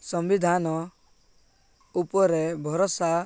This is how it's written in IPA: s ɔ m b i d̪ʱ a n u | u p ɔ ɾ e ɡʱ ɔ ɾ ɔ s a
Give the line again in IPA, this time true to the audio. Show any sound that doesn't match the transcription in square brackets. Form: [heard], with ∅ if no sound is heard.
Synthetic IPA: s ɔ m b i d̪ʱ a n [ɔ] | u p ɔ ɾ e [bʱ] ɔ ɾ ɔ s a